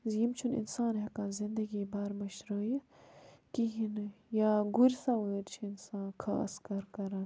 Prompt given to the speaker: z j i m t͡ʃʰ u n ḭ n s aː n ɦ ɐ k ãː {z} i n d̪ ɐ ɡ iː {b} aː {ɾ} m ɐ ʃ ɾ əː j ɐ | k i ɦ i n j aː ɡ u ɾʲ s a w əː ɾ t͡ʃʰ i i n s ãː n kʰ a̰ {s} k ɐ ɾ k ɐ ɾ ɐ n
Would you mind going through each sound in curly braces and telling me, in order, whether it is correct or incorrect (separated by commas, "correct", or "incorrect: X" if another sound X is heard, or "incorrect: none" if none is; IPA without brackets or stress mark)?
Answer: correct, correct, correct, correct